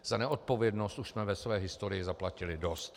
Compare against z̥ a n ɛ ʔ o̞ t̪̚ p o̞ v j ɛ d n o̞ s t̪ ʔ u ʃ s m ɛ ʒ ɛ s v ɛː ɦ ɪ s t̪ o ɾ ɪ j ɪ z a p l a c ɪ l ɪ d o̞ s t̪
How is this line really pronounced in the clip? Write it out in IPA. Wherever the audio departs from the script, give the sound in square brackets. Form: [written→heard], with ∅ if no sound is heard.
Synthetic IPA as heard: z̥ a n ɛ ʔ o̞ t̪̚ p o̞ v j ɛ d n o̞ s t̪ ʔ u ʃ s m ɛ [ʒ→v] ɛ s v ɛː ɦ ɪ s t̪ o ɾ ɪ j ɪ z a p l a c ɪ l ɪ d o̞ s t̪